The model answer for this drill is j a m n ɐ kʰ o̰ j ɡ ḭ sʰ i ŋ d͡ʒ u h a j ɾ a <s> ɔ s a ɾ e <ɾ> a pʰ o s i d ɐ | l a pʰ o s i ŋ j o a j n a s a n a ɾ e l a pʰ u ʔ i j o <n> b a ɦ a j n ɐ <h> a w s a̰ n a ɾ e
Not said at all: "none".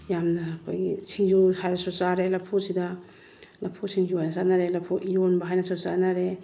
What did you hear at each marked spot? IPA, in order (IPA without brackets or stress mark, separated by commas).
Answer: s, l, n, s